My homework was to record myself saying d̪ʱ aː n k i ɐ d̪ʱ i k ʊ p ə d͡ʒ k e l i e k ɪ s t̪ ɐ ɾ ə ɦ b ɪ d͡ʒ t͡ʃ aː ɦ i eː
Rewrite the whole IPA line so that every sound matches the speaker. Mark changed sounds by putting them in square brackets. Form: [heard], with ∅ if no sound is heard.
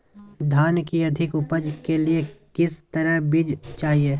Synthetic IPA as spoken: d̪ʱ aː n k i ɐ d̪ʱ [ɪ] k ʊ p ə d͡ʒ k e l i e k ɪ s t̪ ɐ ɾ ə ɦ b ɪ d͡ʒ t͡ʃ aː ɦ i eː